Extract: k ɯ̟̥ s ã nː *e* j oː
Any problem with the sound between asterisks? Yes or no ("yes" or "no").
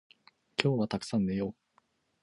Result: no